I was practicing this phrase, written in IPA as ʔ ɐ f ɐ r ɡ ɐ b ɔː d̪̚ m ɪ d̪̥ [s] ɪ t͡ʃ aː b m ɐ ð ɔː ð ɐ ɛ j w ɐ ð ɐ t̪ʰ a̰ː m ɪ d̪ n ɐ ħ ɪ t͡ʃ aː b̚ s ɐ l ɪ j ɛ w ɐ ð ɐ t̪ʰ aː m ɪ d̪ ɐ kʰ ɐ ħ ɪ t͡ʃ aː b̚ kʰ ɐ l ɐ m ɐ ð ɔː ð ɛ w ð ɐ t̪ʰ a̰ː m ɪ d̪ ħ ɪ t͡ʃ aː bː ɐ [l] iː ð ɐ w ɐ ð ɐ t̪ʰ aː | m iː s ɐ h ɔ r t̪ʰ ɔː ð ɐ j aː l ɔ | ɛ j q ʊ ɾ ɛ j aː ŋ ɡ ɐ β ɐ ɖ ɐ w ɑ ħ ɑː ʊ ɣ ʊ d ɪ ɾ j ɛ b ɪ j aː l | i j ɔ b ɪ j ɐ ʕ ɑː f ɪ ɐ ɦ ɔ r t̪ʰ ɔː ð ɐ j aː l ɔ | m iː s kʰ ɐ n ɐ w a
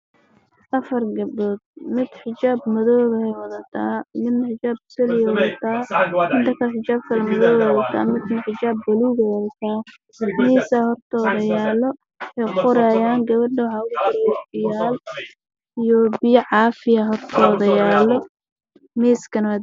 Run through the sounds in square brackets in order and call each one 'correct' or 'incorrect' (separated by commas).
incorrect, correct